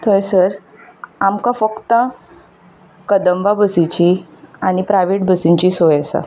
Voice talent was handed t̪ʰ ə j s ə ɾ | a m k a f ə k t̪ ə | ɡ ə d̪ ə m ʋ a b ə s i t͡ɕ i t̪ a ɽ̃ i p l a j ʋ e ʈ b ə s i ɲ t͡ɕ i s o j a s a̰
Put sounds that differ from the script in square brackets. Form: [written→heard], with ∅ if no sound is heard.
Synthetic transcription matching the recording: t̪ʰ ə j s ə ɾ | a m k a f ə k t̪ ə | [ɡ→k] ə d̪ ə m ʋ a b ə s i t͡ɕ i [t̪→∅] a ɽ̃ i p [l→ɾ] a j ʋ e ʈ b ə s i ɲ t͡ɕ i s o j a s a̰